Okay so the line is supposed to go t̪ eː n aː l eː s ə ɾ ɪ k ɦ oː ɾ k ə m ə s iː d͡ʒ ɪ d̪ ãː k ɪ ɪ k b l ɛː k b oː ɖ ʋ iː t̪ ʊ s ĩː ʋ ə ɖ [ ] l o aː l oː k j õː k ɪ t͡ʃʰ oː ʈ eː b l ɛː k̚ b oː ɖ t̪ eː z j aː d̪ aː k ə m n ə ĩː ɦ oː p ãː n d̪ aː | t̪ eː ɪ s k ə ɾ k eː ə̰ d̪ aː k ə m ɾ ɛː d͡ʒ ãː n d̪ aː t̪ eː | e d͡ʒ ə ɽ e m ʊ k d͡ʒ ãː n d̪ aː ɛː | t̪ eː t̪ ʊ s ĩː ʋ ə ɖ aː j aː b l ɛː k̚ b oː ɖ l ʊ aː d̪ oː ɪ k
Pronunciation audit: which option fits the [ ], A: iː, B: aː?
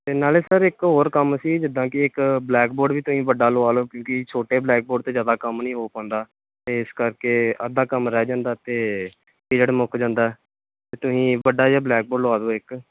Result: B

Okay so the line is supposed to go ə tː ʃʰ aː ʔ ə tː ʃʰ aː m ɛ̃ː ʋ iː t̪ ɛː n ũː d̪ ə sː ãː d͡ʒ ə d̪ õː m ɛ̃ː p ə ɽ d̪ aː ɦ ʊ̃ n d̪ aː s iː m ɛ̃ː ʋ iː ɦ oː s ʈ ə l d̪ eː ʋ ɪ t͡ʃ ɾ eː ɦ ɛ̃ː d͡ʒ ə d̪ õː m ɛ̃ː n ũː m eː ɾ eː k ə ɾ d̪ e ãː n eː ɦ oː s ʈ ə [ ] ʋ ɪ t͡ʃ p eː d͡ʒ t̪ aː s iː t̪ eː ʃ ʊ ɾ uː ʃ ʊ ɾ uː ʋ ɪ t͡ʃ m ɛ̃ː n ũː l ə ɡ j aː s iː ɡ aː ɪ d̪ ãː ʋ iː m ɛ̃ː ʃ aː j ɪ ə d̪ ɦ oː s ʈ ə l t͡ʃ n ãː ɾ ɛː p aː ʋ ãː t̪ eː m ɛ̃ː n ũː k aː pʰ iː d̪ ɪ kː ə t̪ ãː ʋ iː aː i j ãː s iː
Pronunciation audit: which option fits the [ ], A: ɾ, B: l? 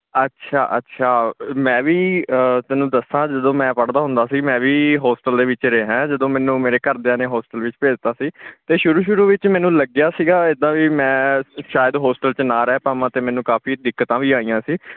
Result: B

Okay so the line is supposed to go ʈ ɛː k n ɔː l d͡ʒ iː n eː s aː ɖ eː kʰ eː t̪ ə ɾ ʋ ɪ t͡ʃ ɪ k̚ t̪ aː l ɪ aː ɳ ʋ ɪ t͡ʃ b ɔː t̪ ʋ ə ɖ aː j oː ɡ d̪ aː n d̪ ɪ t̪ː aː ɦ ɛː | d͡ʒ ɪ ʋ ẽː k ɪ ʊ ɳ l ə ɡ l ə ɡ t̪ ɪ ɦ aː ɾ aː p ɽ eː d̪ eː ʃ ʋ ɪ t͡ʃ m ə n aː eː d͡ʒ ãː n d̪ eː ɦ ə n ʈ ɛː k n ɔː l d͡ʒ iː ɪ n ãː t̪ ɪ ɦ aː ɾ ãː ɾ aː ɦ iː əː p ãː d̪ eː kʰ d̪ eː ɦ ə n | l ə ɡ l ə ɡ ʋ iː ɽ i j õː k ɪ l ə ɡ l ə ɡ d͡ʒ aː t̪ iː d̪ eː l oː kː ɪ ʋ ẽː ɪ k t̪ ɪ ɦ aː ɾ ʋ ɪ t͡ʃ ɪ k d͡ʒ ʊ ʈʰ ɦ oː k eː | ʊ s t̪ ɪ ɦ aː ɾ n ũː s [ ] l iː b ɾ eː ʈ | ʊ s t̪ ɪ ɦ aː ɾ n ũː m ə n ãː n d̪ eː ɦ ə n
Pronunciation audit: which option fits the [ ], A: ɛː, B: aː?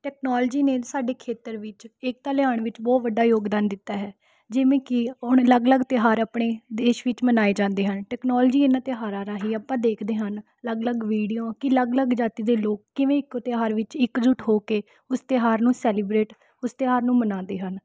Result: A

